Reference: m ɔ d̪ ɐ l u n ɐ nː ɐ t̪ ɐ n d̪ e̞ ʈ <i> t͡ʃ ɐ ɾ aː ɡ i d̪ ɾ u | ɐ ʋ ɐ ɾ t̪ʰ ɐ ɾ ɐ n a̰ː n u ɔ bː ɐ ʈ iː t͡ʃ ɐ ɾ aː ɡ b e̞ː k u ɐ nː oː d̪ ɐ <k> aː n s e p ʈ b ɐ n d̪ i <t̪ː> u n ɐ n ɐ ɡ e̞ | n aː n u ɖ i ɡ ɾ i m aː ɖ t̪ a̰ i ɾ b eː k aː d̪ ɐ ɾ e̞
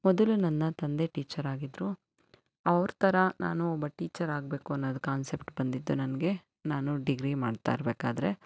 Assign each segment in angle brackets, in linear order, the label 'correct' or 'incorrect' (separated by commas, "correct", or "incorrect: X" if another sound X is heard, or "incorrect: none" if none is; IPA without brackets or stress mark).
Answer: incorrect: iː, correct, incorrect: d̪ː